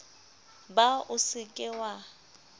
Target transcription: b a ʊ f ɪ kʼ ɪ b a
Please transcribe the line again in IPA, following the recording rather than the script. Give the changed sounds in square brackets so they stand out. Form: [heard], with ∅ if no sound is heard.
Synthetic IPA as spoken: b a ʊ [s] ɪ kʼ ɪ [w] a